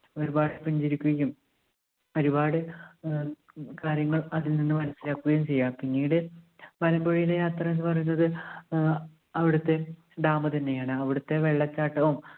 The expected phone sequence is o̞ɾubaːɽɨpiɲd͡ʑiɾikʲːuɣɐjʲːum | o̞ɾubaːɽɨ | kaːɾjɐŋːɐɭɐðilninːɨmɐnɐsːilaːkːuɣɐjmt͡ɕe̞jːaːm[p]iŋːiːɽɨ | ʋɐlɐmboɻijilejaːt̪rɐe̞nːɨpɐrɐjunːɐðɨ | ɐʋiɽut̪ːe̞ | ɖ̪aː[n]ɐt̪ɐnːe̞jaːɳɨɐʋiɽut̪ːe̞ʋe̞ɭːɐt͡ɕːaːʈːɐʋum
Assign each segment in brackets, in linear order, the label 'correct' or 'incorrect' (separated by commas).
correct, incorrect